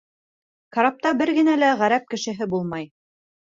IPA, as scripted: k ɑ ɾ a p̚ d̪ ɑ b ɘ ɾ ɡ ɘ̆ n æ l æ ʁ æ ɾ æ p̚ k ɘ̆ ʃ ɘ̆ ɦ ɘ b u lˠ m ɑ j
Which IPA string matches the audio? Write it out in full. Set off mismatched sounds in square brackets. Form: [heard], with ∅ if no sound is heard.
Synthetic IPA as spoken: k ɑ ɾ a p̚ [t̪] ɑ b ɘ ɾ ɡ ɘ̆ n æ l æ ʁ æ ɾ æ p̚ k ɘ̆ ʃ ɘ̆ ɦ ɘ b u lˠ m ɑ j